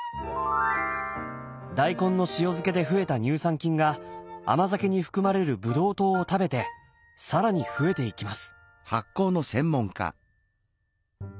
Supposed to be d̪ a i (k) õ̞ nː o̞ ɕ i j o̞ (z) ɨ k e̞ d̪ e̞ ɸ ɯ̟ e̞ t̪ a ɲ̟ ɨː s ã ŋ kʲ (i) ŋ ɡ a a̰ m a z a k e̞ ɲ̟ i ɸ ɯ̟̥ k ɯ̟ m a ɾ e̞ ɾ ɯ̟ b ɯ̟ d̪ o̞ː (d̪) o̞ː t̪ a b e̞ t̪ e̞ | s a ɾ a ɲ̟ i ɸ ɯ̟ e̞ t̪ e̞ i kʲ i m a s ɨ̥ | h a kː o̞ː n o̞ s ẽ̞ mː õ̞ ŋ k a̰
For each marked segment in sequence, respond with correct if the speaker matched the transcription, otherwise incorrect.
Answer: correct, correct, incorrect: ĩ, incorrect: t̪

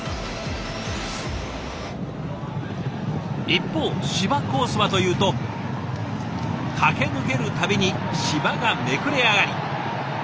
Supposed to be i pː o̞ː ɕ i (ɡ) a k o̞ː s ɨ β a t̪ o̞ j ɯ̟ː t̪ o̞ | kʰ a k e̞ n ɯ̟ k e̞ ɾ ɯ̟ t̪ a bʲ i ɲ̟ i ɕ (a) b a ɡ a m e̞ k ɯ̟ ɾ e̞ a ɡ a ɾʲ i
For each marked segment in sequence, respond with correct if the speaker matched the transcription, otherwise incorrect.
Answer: incorrect: b, incorrect: i

